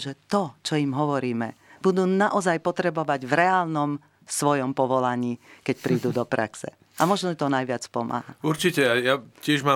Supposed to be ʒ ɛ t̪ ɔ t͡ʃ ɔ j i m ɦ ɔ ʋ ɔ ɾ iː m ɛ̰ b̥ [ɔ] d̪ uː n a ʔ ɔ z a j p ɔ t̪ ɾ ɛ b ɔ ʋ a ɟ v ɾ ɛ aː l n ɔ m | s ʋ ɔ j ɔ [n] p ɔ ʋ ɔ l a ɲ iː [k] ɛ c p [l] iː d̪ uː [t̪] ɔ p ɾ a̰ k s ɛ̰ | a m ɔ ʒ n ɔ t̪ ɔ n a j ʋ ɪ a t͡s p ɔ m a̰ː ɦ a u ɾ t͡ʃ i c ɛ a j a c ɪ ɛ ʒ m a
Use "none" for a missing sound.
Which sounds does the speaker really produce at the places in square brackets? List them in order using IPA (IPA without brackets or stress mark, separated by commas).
u, m, k, ɾ, d̪